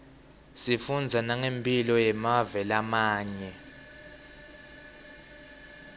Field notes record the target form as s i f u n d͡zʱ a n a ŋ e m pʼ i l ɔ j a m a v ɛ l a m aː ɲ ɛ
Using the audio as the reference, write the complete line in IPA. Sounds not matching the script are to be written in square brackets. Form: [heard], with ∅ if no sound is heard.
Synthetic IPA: s i f u n d͡zʱ a n a ŋ e m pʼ i l ɔ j [ɛ] m a v ɛ l a m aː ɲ ɛ